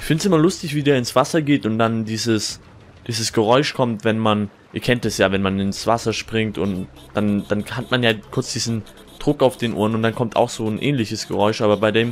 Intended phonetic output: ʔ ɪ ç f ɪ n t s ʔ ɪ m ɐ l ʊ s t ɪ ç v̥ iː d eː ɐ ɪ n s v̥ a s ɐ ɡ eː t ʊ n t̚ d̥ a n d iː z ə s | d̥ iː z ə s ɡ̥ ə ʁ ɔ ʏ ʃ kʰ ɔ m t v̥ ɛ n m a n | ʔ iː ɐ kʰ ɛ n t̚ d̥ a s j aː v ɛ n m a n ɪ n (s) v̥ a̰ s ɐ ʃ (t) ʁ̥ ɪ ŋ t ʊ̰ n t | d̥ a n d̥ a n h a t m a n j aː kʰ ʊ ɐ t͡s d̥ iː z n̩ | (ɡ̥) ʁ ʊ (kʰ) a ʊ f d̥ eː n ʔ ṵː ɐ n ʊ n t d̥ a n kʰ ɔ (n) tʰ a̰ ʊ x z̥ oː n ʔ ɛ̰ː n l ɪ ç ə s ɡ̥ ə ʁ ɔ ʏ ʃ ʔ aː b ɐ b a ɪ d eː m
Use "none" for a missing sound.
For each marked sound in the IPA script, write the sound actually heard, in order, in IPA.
s, p, d̥, k, m

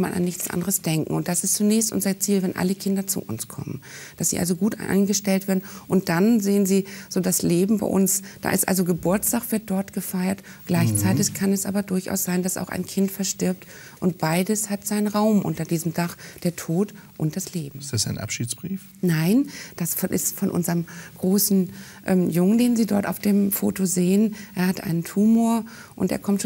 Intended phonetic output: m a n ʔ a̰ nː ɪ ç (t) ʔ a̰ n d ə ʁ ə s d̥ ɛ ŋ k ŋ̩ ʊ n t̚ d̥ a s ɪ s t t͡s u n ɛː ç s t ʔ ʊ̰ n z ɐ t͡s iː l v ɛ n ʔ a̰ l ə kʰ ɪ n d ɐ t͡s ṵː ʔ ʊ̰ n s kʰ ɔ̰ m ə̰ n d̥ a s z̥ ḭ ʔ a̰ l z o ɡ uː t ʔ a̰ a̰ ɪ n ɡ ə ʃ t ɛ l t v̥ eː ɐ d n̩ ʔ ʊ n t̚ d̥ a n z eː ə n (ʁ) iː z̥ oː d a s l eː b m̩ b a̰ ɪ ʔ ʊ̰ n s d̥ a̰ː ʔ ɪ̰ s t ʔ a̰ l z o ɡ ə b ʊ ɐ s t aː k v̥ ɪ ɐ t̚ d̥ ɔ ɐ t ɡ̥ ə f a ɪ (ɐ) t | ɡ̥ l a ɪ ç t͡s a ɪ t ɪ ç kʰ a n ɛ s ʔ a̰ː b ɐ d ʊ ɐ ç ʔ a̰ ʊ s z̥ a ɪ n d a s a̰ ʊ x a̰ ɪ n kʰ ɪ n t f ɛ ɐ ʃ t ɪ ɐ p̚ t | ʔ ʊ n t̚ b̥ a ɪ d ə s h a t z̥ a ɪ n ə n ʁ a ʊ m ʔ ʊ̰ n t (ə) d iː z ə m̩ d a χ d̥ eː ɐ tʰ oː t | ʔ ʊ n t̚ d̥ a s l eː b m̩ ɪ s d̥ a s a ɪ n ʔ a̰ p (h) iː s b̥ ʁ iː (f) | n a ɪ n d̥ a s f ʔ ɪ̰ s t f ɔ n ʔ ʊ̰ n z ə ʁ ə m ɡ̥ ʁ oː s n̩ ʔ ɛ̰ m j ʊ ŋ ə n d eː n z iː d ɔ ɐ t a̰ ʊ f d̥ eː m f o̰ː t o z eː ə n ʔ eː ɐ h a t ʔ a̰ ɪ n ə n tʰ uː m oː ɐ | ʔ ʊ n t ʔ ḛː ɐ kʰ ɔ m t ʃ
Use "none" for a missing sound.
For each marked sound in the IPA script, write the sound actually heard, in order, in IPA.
t͡s, z, ɐ, ɐ, ʃ, f

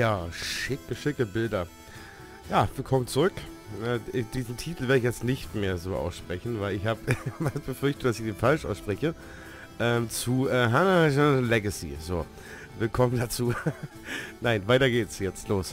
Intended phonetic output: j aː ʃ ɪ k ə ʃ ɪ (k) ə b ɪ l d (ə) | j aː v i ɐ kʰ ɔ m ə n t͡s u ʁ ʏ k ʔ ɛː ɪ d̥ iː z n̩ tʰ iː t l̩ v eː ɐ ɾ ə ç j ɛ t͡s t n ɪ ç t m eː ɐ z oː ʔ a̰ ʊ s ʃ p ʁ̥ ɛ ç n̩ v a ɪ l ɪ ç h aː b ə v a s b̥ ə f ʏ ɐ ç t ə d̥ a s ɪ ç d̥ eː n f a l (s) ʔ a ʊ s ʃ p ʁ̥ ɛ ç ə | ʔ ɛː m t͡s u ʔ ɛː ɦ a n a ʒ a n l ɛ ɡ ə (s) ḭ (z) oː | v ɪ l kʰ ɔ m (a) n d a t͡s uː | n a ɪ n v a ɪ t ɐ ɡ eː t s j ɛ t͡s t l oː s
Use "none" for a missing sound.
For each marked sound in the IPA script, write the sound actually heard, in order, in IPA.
k, ɐ, ʃ, s, z, ə

